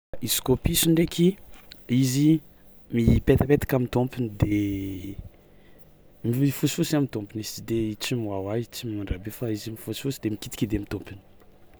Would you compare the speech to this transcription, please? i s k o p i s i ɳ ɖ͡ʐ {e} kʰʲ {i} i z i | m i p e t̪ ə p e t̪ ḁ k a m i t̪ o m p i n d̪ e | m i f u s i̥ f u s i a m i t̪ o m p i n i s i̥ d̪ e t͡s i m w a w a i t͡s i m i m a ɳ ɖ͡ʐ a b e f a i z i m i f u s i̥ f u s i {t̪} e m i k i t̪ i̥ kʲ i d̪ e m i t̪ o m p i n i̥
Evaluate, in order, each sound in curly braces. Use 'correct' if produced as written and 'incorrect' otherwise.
correct, correct, incorrect

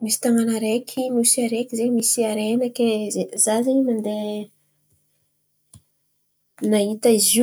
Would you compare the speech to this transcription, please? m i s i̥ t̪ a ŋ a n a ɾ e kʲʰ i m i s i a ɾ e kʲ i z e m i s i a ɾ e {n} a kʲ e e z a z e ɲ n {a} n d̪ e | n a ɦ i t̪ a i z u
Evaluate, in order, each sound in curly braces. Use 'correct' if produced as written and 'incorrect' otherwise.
correct, correct

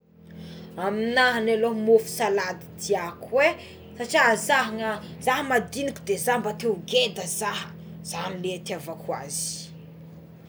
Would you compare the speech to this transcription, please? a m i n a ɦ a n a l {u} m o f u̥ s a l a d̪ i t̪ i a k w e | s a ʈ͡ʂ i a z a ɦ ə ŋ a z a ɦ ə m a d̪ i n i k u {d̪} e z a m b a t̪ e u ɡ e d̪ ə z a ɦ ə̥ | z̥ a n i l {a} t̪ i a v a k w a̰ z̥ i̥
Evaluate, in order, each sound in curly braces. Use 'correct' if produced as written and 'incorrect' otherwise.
incorrect, correct, incorrect

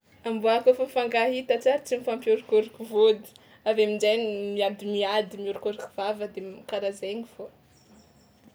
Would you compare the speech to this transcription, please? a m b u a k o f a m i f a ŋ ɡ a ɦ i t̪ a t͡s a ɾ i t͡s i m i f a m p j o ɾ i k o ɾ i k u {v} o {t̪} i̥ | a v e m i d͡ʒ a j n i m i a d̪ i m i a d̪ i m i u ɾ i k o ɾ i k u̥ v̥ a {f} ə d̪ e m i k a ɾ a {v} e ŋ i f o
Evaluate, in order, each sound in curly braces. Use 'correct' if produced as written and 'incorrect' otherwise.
correct, incorrect, incorrect, incorrect

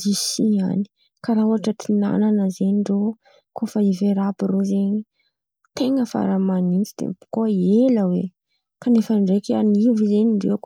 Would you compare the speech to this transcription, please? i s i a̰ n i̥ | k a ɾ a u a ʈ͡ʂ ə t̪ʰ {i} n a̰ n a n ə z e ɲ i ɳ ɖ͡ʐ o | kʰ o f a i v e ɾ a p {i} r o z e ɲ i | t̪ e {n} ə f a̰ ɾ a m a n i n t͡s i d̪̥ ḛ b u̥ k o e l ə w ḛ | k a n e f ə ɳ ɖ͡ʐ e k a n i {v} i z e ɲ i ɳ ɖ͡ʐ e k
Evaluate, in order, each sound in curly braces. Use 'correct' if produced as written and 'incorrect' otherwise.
correct, correct, incorrect, correct

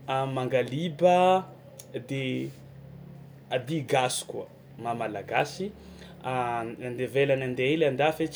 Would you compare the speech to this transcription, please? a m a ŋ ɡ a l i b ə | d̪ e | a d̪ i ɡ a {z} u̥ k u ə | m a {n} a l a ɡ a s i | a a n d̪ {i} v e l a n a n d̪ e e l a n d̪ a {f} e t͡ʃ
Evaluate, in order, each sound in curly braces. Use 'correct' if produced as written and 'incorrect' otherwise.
incorrect, incorrect, incorrect, correct

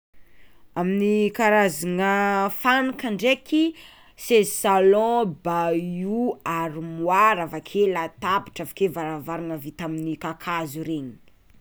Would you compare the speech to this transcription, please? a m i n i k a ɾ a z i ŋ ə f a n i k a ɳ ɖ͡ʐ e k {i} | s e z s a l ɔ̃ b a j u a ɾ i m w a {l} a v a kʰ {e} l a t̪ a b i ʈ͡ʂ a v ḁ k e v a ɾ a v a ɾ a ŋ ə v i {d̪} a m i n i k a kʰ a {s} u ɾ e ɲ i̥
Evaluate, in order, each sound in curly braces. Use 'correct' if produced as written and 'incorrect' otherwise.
correct, incorrect, correct, incorrect, incorrect

